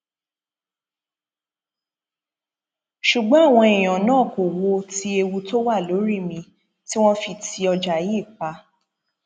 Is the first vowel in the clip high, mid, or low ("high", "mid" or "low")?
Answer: high